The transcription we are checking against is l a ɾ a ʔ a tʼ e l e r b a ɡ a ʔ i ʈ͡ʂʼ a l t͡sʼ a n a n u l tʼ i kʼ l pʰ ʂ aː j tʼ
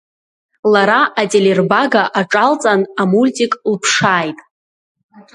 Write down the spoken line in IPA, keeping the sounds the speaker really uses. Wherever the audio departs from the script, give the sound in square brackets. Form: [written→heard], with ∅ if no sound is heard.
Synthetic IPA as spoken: l a ɾ a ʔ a tʼ e l e r b a ɡ a ʔ [i→a] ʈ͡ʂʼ a l t͡sʼ a n a [n→m] u l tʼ i kʼ l pʰ ʂ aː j tʼ